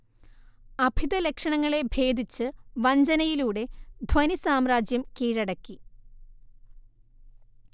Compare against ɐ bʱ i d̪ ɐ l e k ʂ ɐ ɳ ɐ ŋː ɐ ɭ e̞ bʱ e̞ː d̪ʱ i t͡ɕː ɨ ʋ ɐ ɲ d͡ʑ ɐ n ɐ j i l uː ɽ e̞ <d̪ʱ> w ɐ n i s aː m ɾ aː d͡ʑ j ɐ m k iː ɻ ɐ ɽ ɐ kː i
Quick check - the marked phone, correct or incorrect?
correct